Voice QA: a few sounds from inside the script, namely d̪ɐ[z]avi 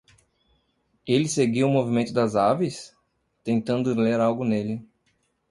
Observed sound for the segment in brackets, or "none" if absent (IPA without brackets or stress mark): z